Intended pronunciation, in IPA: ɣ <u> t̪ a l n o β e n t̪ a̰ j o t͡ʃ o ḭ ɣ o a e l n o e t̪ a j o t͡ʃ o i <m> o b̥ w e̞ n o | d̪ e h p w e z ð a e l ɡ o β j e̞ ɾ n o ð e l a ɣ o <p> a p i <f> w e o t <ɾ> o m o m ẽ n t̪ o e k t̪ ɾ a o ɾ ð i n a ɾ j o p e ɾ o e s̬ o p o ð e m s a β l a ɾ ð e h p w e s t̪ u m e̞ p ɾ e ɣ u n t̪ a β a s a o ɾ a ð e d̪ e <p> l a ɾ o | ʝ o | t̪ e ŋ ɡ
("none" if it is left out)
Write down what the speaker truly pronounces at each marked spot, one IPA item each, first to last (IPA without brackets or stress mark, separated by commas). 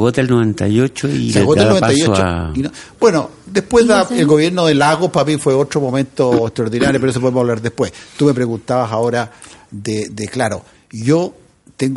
o, n, p, f, ɾ, k